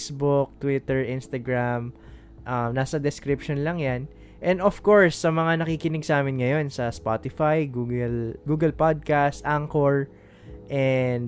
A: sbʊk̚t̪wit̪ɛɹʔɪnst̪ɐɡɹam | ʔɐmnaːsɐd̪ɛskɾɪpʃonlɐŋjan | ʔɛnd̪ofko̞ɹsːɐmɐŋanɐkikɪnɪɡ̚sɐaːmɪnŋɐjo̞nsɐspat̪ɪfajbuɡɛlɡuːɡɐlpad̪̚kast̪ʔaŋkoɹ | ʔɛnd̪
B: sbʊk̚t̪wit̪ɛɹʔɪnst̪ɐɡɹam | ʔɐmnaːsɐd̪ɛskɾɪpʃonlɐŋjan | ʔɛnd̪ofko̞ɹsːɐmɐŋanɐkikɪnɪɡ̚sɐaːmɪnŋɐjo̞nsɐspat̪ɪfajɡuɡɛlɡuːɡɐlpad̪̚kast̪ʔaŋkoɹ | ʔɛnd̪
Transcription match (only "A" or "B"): B